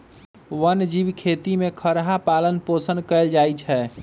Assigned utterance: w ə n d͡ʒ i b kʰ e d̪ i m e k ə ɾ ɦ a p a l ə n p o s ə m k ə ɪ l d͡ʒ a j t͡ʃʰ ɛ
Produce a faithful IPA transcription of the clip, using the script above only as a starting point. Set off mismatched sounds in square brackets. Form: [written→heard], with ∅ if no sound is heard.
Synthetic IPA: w ə n d͡ʒ i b kʰ e [d̪→t̪] i m e [k→kʰ] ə ɾ ɦ a p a l ə n p o s ə [m→n] k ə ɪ l d͡ʒ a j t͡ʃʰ ɛ